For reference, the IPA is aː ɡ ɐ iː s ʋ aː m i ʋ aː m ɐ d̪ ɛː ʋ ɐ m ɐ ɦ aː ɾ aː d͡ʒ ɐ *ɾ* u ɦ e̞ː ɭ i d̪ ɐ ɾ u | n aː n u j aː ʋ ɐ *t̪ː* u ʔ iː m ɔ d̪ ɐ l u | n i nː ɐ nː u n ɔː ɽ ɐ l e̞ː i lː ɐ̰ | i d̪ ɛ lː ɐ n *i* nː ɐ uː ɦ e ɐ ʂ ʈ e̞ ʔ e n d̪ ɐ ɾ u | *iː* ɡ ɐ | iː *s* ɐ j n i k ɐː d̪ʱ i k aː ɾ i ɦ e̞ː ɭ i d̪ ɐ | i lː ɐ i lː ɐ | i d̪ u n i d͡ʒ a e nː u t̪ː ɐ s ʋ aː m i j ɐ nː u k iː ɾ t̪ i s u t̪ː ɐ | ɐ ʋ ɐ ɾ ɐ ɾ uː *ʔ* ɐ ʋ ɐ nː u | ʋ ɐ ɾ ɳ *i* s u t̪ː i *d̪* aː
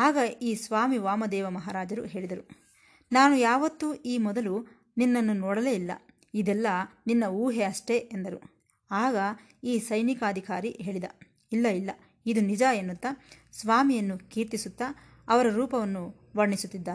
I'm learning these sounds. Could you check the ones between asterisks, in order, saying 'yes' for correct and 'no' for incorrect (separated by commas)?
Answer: yes, yes, yes, no, yes, no, yes, no